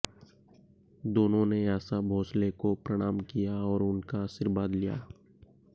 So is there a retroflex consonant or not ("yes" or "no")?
yes